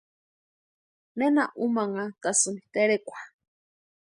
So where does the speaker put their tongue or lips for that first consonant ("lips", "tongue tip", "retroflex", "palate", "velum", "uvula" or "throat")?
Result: tongue tip